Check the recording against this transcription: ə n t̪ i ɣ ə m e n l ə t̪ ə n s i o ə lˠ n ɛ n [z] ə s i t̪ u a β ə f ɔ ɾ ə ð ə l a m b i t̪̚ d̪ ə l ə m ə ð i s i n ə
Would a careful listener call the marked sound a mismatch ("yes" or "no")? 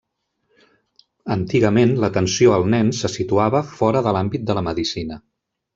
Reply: yes